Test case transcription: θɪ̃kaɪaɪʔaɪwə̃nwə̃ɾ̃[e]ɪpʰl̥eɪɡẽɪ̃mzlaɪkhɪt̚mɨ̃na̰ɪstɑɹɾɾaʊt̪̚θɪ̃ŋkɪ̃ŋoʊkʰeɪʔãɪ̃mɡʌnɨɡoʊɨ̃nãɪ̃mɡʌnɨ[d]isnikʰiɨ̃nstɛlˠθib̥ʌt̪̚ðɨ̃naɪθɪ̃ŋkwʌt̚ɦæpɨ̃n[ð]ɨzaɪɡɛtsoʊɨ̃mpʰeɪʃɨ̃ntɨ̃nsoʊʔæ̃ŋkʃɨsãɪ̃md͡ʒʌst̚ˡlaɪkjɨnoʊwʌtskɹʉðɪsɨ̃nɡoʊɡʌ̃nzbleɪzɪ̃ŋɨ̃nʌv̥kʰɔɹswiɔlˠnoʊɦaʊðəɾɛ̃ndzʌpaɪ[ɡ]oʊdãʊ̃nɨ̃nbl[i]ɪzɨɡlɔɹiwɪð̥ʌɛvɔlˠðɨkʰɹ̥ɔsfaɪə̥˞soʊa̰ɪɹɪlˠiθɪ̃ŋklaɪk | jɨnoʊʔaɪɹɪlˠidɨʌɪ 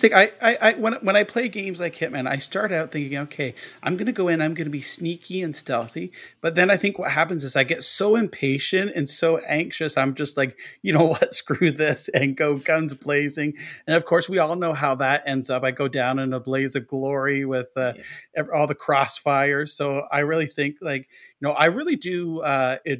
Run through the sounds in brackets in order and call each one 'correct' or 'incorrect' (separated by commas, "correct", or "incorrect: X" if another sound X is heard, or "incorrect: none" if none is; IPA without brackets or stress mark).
incorrect: a, incorrect: b, incorrect: z, correct, incorrect: e